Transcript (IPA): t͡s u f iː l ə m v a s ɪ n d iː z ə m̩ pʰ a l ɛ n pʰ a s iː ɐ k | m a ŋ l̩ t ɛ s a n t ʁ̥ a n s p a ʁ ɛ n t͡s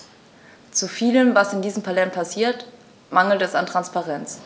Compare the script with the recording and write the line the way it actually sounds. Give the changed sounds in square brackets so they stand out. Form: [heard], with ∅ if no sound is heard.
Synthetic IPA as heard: t͡s u f iː l ə m v a s ɪ n d iː z ə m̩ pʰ a l ɛ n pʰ a s iː ɐ [t] | m a ŋ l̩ t ɛ s a n t ʁ̥ a n s p a ʁ ɛ n t͡s